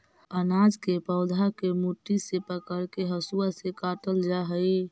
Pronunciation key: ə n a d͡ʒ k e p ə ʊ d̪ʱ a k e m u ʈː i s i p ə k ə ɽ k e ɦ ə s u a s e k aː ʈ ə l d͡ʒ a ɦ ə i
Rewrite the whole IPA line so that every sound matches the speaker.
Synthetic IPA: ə n a d͡ʒ k e p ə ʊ d̪ʱ a k e m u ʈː i s e p ə k ə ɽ k e ɦ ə s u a s e k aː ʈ ə l d͡ʒ a ɦ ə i